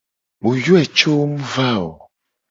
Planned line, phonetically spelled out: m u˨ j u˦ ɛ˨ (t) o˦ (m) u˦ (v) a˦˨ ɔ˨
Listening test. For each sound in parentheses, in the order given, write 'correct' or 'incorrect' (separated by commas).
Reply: incorrect, correct, correct